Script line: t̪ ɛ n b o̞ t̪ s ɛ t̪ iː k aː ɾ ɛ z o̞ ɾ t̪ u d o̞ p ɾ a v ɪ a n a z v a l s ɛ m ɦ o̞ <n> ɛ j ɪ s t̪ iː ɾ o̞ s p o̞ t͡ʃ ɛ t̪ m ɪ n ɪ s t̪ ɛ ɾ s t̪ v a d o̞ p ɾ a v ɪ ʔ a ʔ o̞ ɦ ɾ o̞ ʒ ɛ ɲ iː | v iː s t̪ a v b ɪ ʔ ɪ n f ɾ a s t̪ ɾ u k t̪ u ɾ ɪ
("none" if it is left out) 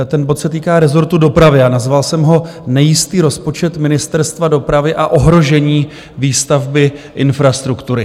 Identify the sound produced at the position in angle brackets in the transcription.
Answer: n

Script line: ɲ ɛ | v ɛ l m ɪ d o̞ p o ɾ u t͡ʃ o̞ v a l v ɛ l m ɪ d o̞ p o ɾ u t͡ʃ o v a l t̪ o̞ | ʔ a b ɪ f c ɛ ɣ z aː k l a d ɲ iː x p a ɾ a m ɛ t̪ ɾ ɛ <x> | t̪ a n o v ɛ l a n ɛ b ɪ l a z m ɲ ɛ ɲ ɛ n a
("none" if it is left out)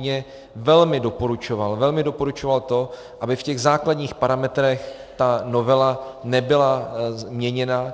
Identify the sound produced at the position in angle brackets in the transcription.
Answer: x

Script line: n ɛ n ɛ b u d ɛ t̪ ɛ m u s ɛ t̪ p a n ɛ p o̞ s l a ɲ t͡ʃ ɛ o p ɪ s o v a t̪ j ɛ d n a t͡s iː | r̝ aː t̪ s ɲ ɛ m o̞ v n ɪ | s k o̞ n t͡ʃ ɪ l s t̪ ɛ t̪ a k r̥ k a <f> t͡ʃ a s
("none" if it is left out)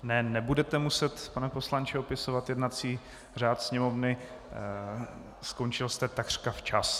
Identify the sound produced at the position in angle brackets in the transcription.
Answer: f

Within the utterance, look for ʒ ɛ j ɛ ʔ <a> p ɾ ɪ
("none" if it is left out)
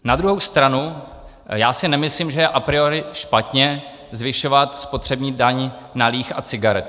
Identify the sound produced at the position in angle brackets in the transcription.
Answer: a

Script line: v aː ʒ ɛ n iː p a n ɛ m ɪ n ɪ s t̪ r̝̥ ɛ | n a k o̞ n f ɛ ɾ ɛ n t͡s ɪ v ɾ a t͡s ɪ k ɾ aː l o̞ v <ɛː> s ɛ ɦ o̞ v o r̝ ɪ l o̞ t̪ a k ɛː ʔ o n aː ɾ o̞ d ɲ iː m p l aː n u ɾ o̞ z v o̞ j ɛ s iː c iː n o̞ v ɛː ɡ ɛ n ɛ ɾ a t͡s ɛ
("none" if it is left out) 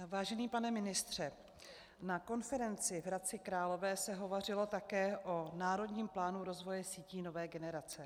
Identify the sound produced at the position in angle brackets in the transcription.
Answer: ɛː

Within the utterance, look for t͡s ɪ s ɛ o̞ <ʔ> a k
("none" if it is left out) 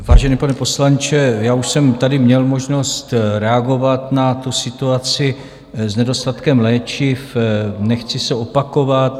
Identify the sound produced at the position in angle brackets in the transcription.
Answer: p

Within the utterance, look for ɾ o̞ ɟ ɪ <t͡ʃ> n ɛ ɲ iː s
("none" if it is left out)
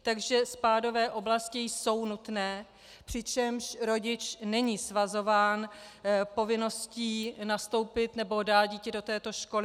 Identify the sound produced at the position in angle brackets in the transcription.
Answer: t͡ʃ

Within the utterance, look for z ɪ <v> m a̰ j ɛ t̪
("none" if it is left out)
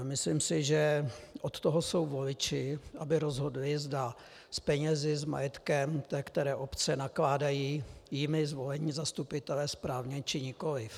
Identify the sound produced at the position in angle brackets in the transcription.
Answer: z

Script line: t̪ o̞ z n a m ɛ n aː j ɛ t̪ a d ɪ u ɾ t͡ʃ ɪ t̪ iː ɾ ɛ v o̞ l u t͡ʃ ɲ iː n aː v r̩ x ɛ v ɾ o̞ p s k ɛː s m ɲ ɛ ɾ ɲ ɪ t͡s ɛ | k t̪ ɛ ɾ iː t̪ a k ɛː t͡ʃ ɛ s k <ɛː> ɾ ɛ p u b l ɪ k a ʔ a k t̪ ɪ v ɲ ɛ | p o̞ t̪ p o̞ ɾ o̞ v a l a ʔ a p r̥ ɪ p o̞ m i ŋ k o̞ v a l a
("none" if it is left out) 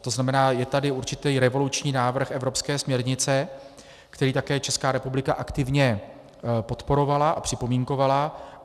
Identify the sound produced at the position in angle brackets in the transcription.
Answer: aː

